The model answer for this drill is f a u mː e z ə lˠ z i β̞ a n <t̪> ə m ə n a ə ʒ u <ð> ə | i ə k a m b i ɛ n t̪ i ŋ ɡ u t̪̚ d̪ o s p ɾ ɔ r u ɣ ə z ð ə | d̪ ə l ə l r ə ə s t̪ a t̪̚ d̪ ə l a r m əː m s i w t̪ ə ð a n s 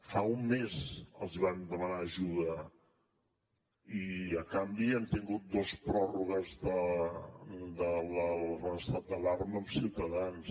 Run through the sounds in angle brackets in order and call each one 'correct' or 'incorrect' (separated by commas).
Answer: incorrect, correct